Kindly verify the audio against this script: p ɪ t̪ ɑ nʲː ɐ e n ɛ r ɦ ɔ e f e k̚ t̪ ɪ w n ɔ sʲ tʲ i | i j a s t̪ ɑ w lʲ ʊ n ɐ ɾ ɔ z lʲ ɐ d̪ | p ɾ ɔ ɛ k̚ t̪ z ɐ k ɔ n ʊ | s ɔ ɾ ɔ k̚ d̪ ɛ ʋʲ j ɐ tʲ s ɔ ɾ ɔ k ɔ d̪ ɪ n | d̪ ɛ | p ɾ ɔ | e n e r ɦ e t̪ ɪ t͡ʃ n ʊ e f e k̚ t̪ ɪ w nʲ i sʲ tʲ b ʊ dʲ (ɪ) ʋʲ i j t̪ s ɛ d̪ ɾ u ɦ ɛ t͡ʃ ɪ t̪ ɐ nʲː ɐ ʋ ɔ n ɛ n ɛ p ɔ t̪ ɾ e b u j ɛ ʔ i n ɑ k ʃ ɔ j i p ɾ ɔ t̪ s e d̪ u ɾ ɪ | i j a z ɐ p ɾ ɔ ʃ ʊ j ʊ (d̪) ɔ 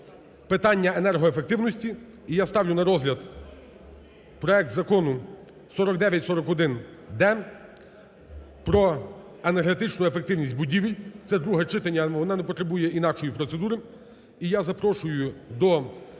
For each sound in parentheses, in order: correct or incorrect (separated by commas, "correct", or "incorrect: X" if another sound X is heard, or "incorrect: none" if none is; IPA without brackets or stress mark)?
incorrect: i, correct